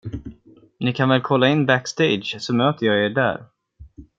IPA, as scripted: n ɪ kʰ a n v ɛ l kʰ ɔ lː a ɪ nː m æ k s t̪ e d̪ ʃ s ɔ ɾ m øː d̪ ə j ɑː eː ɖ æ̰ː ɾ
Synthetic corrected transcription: n ɪ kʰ a n v ɛ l kʰ ɔ lː a ɪ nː b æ k s t̪ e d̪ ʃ s ɔ m øː t̪ ə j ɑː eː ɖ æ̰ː ɾ